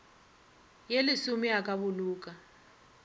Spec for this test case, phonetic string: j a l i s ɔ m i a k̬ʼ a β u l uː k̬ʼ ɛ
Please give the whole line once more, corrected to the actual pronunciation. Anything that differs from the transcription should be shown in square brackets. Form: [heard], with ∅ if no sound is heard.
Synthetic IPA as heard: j [e] l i s [u] m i a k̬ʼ a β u l uː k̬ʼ [a]